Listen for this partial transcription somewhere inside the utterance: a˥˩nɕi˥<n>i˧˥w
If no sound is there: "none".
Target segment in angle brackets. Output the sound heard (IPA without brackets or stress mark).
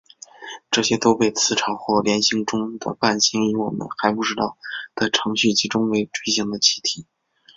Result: ŋ